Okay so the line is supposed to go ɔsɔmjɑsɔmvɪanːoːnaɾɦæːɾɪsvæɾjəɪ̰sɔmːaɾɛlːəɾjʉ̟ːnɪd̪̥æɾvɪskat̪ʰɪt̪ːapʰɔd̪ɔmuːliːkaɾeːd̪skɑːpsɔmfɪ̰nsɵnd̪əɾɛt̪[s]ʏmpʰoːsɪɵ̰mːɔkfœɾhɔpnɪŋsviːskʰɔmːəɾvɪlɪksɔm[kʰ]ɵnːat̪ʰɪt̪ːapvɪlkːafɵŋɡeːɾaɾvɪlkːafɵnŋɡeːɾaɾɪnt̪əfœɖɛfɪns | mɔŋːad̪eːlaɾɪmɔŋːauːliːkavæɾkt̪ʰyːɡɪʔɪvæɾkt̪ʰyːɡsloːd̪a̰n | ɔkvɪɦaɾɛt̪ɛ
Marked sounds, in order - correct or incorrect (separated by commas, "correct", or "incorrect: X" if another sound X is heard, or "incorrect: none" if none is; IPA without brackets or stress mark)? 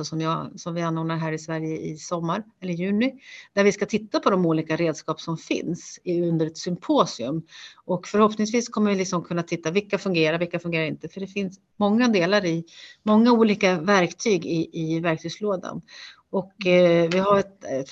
correct, correct